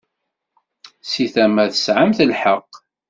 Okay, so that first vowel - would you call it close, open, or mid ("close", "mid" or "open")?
close